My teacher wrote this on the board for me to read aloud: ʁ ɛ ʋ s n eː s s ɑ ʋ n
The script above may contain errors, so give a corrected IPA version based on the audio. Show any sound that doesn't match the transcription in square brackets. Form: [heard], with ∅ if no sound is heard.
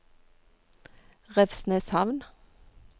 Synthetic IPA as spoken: ʁ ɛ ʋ s n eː s [h] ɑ ʋ n